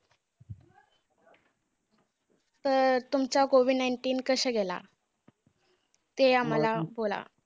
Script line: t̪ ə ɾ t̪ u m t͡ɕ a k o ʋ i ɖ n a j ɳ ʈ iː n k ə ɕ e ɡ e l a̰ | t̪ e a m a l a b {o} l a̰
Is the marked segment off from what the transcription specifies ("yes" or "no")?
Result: no